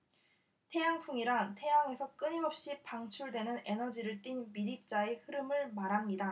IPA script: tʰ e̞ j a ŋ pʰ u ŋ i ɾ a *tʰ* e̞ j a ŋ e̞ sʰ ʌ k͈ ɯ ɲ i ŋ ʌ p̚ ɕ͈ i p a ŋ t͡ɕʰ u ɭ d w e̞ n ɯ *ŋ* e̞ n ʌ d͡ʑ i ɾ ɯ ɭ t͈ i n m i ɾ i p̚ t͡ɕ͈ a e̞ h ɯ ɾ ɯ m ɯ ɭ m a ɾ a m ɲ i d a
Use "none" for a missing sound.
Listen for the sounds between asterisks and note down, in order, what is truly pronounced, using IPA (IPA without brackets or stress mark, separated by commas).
tʰ, n